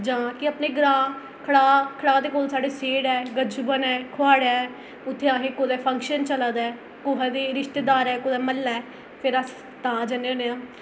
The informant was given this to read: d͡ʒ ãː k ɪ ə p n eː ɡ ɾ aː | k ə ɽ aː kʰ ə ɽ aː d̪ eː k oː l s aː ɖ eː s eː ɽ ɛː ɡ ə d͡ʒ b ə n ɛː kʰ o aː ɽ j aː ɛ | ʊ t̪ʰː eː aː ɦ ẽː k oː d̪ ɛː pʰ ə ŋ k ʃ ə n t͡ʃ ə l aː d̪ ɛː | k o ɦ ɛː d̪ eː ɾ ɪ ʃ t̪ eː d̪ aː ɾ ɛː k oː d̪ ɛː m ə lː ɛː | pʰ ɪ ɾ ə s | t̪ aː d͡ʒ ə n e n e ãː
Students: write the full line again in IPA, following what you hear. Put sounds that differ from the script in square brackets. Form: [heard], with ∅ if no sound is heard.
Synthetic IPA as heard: d͡ʒ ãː k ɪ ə p n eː ɡ ɾ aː | [kʰ] ə ɽ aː kʰ ə ɽ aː d̪ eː k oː l s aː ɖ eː s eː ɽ ɛː ɡ ə d͡ʒ b ə n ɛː kʰ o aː ɽ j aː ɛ | ʊ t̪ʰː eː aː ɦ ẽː k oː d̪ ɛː pʰ ə ŋ k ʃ ə n t͡ʃ ə l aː d̪ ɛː | k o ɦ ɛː d̪ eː ɾ ɪ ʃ t̪ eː d̪ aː ɾ ɛː k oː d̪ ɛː m ə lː ɛː | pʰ ɪ ɾ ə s | t̪ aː d͡ʒ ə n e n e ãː